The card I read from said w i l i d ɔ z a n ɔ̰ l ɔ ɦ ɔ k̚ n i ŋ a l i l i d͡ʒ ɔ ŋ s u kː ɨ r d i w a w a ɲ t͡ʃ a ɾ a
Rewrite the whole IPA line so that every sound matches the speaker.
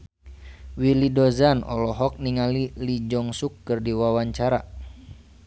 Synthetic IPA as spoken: w i l i d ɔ z a n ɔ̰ l ɔ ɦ ɔ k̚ n i ŋ a l i l i d͡ʒ ɔ ŋ s u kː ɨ r d i w a w a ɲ t͡ʃ a ɾ a